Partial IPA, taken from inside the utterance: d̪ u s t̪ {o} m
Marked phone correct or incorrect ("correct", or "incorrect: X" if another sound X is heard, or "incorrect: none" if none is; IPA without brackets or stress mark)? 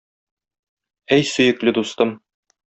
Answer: incorrect: ɤ